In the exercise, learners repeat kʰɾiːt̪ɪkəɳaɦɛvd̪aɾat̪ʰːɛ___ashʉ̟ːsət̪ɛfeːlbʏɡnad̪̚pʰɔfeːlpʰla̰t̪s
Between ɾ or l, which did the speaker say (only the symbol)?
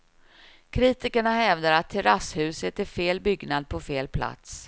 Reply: ɾ